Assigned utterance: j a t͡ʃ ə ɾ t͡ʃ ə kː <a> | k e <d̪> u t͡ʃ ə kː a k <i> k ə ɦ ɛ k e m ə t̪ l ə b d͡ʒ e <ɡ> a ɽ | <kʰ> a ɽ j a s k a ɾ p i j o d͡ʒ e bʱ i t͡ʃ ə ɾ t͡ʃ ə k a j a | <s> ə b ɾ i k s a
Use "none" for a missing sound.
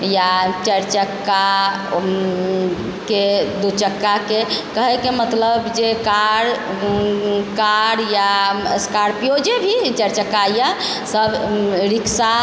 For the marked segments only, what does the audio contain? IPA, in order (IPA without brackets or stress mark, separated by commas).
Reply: a, d̪, e, k, k, s